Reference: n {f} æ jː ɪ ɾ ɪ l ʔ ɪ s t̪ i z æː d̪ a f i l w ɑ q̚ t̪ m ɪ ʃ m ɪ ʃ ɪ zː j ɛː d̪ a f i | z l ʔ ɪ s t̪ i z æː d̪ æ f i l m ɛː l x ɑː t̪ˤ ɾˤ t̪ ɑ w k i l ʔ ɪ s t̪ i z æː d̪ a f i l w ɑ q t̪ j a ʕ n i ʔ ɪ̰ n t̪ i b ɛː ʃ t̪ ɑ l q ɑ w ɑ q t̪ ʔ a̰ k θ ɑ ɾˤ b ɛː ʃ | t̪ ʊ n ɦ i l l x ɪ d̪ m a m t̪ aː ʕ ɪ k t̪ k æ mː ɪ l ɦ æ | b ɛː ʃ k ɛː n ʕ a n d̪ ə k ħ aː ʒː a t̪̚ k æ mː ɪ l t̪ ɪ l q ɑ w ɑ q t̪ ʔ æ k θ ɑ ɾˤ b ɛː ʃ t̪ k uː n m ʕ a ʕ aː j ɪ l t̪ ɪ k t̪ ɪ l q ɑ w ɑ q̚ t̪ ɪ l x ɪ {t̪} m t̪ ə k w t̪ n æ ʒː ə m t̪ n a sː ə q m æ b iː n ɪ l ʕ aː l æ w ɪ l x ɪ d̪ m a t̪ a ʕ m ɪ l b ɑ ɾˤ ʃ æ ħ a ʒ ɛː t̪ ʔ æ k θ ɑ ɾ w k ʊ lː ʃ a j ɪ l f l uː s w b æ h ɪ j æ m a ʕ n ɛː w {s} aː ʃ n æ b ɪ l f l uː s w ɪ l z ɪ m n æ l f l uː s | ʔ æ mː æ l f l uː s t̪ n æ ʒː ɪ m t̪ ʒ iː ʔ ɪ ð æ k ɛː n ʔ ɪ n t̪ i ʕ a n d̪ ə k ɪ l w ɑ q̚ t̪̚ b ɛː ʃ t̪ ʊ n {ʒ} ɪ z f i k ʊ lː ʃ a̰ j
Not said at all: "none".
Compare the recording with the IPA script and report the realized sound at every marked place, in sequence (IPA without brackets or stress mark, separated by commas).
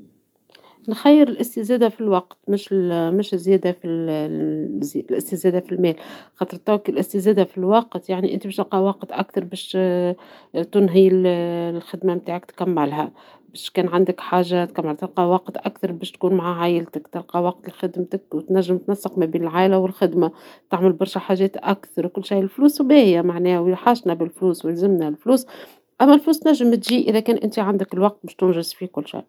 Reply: x, d̪, ħ, ʒ